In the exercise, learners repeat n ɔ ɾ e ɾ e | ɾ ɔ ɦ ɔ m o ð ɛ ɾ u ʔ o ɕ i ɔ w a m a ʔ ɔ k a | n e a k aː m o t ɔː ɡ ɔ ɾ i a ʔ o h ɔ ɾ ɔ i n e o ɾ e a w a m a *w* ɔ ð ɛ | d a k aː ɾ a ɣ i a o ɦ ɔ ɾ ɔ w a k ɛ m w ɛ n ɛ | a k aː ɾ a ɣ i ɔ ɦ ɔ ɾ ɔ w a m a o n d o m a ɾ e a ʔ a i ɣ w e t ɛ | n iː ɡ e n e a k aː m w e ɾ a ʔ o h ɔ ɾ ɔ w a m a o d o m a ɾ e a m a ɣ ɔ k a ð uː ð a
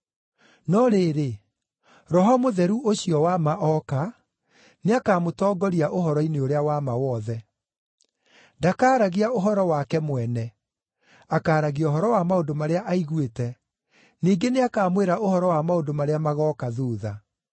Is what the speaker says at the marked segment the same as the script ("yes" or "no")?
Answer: yes